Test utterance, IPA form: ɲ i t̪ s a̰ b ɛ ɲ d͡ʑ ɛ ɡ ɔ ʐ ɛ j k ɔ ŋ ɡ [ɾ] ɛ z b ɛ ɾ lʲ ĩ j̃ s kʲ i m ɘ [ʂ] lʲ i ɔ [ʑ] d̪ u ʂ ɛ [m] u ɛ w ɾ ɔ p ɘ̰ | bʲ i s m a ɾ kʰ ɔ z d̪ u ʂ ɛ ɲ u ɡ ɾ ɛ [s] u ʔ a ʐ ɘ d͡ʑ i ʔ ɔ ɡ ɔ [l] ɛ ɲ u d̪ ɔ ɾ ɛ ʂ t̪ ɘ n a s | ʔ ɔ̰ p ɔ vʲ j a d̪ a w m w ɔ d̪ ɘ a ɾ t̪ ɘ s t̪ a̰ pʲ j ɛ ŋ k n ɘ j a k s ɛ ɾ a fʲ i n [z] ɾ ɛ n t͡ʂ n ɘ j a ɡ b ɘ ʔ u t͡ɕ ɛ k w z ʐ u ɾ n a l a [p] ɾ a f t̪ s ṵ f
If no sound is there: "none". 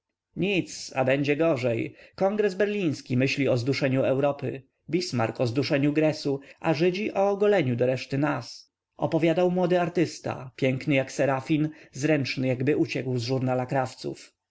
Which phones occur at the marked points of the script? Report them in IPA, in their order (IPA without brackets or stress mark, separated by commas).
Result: ɾ, ɕ, z, ɲ, s, l, z, k